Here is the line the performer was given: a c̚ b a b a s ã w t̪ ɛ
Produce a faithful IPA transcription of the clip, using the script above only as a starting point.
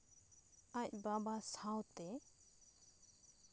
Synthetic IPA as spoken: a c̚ b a b a s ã w t̪ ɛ